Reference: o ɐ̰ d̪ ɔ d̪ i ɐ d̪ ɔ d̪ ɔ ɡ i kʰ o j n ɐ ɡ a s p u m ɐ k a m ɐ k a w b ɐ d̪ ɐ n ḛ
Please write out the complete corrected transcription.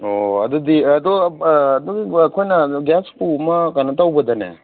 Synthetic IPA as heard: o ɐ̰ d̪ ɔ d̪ i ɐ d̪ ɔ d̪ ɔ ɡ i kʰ o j n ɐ ɡ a s p u m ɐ k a n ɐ t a w b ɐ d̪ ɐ n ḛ